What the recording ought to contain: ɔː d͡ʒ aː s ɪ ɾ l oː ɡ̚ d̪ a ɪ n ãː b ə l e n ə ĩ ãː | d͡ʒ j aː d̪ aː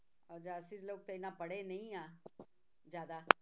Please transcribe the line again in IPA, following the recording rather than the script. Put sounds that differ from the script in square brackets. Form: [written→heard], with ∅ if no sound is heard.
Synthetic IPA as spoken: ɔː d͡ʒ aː s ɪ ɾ l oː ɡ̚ [d̪→t̪] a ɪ n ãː [b→p] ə [l→ɽ] e n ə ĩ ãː | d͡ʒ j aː d̪ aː